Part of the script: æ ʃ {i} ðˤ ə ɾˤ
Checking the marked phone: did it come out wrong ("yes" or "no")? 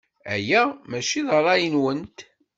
no